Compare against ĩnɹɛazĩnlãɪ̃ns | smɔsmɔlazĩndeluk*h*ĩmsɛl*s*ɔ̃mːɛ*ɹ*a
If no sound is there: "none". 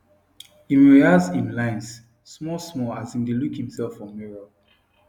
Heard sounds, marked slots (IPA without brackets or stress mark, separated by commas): h, f, ɹ